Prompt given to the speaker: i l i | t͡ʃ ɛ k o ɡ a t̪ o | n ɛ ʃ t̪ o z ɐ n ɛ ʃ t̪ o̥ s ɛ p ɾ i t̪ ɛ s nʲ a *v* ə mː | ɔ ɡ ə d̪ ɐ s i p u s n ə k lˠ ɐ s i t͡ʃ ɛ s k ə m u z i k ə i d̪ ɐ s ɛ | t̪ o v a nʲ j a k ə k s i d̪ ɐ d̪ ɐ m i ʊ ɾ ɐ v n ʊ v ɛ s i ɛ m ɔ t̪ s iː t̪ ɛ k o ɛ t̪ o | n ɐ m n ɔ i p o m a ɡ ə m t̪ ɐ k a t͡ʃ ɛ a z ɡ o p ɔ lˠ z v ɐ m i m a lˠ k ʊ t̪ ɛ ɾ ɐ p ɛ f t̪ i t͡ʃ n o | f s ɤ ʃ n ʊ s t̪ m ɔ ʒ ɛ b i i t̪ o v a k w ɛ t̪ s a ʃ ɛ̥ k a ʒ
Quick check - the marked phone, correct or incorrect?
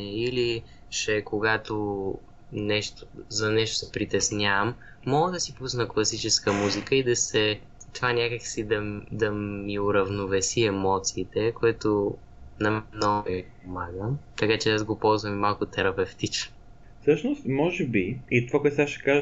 correct